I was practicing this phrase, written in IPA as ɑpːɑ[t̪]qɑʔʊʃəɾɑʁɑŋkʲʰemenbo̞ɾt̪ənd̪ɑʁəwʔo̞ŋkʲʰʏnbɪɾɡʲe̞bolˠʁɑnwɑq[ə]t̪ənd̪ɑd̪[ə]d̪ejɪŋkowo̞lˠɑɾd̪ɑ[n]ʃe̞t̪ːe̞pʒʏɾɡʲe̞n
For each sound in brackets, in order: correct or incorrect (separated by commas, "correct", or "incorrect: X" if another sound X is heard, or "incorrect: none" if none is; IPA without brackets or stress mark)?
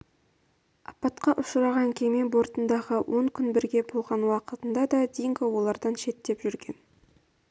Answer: correct, correct, incorrect: ɑ, correct